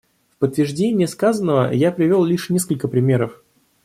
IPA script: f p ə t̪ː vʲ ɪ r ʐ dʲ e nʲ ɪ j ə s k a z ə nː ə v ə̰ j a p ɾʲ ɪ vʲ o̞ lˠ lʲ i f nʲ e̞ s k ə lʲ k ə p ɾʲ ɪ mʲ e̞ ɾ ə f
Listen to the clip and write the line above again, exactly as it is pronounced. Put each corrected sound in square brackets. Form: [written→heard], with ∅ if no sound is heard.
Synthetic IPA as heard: f p ə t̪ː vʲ ɪ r ʐ dʲ e nʲ ɪ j ə s k a z ə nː ə v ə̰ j a p ɾʲ ɪ vʲ o̞ lˠ lʲ i [f→ʂ] nʲ e̞ s k ə lʲ k ə p ɾʲ ɪ mʲ e̞ ɾ ə f

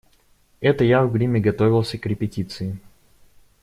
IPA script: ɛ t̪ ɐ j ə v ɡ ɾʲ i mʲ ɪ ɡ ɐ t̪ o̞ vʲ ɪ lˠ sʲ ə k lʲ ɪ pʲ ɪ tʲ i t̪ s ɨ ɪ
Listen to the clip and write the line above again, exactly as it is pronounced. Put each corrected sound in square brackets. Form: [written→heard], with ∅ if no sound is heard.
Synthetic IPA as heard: ɛ t̪ [ɐ→ə] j [ə→a] v ɡ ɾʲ i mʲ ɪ ɡ ɐ t̪ o̞ vʲ ɪ lˠ sʲ ə k [lʲ→ɾʲ] ɪ pʲ ɪ tʲ i t̪ s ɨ ɪ

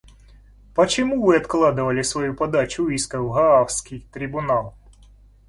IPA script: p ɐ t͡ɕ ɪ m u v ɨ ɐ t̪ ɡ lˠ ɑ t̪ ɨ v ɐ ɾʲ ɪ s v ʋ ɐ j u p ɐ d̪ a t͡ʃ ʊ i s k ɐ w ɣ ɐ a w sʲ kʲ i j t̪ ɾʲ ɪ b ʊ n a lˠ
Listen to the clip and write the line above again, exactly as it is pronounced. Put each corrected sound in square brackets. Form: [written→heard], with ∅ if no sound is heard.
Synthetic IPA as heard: p ɐ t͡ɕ ɪ m u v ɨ ɐ t̪ [ɡ→k] lˠ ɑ [t̪→d̪] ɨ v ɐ [ɾʲ→lʲ] ɪ s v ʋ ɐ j u p ɐ d̪ a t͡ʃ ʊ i s k ɐ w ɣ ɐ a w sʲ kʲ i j t̪ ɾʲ ɪ b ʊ n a lˠ

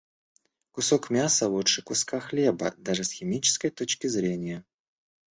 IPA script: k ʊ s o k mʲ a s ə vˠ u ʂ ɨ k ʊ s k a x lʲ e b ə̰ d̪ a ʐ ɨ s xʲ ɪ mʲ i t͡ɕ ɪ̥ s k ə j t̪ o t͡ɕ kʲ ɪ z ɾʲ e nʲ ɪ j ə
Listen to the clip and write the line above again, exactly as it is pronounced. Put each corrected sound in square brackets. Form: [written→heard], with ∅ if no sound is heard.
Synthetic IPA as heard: k ʊ s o k mʲ a s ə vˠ u ʂ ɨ k ʊ s k a x lʲ e b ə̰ d̪ a ʐ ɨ s xʲ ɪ mʲ i t͡ɕ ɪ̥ s k ə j t̪ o t͡ɕ kʲ ɪ z ɾʲ e nʲ ɪ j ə

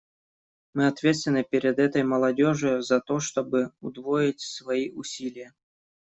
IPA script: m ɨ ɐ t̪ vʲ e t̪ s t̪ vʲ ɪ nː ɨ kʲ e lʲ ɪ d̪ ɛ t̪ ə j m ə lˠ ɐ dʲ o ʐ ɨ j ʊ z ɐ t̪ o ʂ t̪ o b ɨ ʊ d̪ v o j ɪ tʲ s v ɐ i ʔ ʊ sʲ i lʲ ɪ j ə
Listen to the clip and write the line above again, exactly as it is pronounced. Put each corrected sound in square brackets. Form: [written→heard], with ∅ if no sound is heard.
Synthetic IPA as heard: m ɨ ɐ t̪ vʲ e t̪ s t̪ vʲ ɪ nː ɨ [kʲ→pʲ] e [lʲ→ɾʲ] ɪ d̪ ɛ t̪ ə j m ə lˠ ɐ dʲ o ʐ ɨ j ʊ z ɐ t̪ o ʂ t̪ o b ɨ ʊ d̪ v o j ɪ tʲ s v ɐ i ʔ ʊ sʲ i lʲ ɪ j ə

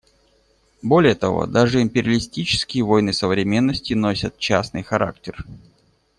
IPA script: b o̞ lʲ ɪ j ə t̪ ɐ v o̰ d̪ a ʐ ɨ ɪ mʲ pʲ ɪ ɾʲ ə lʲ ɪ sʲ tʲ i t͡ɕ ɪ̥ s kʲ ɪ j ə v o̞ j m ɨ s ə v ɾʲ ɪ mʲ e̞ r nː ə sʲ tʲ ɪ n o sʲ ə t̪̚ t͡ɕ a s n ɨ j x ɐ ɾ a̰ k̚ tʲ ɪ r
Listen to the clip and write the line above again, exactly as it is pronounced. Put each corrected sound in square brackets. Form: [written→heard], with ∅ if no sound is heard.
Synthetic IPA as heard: b o̞ lʲ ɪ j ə t̪ ɐ v o̰ d̪ a ʐ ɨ ɪ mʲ pʲ ɪ ɾʲ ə lʲ ɪ sʲ tʲ i t͡ɕ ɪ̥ s kʲ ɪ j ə v o̞ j [m→n] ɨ s ə v ɾʲ ɪ mʲ e̞ [r→∅] nː ə sʲ tʲ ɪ n o sʲ ə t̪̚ t͡ɕ a s n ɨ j x ɐ ɾ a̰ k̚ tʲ ɪ r

